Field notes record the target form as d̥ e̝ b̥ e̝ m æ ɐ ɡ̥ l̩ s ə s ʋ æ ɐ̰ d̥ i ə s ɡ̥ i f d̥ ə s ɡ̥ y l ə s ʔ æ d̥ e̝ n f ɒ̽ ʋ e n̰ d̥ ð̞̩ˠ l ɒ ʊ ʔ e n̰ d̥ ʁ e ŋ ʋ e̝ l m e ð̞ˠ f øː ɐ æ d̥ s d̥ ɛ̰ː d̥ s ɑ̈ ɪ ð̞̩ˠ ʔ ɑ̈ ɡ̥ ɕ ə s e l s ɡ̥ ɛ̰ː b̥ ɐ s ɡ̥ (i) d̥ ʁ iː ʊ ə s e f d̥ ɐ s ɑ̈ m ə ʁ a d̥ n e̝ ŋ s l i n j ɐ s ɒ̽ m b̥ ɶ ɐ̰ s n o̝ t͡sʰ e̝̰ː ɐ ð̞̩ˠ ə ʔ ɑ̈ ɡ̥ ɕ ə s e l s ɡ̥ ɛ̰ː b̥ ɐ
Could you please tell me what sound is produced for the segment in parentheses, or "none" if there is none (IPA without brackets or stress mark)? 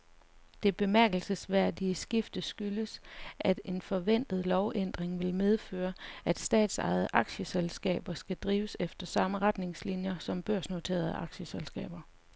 æ